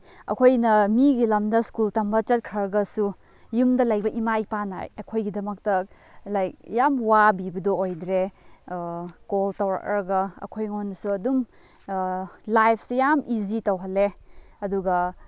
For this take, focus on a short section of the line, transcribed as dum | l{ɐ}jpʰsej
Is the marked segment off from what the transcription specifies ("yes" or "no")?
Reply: yes